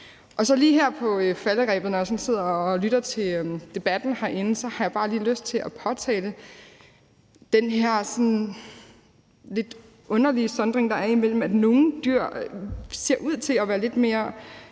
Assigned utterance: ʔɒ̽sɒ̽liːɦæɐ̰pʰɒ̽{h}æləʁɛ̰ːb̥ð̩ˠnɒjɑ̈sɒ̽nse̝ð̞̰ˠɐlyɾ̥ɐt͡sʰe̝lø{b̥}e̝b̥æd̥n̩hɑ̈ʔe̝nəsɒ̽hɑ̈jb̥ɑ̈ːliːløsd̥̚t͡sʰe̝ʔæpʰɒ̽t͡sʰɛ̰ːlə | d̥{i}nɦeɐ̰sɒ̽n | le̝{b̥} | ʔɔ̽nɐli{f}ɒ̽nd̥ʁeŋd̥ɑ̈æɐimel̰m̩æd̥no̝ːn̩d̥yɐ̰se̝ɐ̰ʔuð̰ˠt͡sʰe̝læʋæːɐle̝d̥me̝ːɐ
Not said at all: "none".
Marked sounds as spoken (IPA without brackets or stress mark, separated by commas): f, d̥, e, d̥, s